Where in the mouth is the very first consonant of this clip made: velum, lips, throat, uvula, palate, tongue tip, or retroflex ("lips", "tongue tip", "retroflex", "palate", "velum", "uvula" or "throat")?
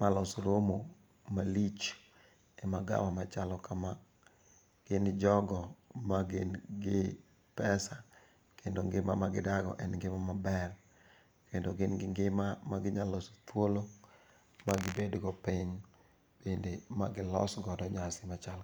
lips